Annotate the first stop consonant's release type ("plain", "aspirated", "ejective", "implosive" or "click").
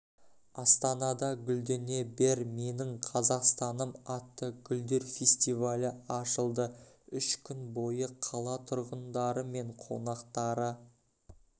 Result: plain